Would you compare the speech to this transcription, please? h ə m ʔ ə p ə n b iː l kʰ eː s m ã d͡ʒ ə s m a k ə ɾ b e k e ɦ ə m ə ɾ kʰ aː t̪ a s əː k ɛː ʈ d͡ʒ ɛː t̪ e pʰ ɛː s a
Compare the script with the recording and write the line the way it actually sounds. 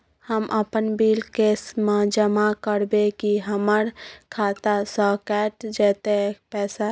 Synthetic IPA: h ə m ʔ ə p ə n b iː l k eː s m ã d͡ʒ ə m a k ə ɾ b e k i ɦ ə m ə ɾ kʰ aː t̪ a s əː k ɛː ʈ d͡ʒ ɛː t̪ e p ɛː s a